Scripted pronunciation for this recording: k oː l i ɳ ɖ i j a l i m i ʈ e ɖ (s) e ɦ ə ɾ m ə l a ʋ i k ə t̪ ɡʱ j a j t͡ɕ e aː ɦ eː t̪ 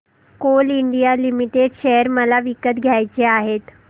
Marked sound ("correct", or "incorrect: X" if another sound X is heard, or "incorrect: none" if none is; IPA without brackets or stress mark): incorrect: ʃ